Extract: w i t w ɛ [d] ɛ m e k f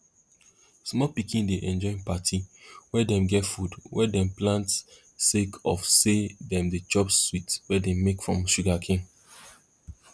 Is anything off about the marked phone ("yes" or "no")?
no